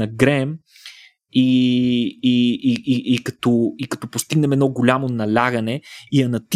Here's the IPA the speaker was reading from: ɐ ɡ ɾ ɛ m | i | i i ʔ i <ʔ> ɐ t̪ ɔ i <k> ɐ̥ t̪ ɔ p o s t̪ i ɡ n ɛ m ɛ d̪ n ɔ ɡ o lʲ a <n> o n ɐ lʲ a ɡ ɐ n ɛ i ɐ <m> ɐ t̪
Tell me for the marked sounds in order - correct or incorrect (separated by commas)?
incorrect, correct, incorrect, incorrect